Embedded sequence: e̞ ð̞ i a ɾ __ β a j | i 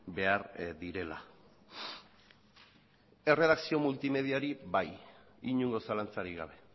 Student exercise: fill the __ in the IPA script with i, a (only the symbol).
i